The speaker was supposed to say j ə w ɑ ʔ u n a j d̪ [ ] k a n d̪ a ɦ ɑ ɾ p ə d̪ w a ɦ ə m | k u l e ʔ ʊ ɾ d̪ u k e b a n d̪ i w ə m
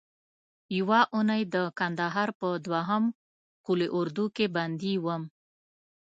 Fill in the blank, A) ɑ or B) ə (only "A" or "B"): B